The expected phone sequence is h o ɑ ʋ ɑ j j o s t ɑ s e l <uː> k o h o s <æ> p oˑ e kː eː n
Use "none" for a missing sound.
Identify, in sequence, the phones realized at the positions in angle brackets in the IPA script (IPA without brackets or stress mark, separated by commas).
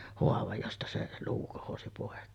uː, i